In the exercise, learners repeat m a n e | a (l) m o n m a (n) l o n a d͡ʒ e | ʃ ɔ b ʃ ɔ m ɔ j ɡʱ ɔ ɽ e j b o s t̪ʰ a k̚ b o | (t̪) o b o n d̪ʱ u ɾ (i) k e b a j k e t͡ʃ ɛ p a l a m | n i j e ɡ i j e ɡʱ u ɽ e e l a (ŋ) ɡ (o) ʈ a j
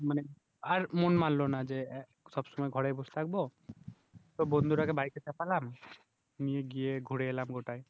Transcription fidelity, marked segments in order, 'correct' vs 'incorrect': incorrect: ɾ, correct, correct, incorrect: a, incorrect: m, correct

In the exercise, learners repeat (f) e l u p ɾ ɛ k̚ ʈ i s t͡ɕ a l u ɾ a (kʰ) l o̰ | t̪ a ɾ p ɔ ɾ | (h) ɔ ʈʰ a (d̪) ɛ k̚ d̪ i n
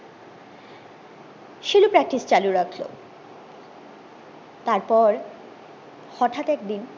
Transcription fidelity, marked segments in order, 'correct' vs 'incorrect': incorrect: ʃ, correct, correct, incorrect: t̪

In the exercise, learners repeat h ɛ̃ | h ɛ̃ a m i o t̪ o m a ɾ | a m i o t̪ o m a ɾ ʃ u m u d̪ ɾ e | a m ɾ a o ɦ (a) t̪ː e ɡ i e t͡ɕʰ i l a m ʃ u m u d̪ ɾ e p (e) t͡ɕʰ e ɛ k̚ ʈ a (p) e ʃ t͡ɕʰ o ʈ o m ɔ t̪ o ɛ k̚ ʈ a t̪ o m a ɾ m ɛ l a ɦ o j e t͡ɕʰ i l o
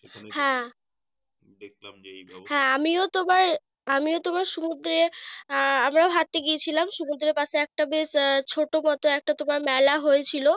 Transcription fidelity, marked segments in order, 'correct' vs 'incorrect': correct, incorrect: a, incorrect: b

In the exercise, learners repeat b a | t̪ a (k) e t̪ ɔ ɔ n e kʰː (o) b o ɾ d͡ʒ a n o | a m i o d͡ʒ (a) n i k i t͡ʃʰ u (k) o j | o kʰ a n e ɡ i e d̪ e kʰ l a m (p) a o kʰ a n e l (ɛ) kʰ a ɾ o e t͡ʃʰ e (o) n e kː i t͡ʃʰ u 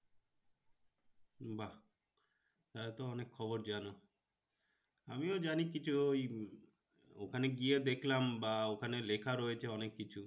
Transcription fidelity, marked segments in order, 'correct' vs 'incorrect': incorrect: none, incorrect: ɔ, correct, incorrect: none, incorrect: b, incorrect: e, incorrect: ɔ

